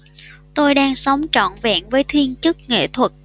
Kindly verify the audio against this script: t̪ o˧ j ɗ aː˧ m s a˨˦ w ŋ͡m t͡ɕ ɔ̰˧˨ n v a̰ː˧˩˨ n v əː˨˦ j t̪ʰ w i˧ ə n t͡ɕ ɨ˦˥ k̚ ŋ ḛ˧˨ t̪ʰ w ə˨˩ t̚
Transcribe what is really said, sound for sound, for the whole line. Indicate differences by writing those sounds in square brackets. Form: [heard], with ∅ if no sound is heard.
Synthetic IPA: t̪ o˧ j ɗ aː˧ [ŋ] s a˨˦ w ŋ͡m t͡ɕ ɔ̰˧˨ n v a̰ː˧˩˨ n v əː˨˦ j t̪ʰ w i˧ ə n t͡ɕ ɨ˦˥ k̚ ŋ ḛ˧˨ t̪ʰ w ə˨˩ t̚